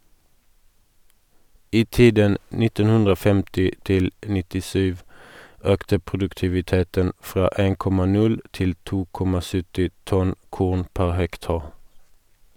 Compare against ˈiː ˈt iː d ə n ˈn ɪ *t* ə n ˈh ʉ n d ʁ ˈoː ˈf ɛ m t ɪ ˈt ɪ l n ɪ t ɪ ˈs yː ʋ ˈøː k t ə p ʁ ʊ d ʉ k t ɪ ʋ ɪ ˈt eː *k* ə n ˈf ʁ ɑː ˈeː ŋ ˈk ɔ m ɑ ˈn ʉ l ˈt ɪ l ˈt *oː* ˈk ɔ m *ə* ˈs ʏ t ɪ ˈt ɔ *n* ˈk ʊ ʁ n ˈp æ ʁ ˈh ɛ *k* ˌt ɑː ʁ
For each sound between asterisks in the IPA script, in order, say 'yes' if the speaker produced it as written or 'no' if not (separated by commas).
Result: yes, no, no, no, yes, yes